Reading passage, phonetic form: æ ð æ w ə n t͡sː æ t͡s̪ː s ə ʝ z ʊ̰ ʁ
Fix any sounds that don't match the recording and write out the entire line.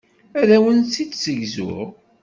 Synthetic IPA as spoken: æ ð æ w ə n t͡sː i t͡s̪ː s ə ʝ z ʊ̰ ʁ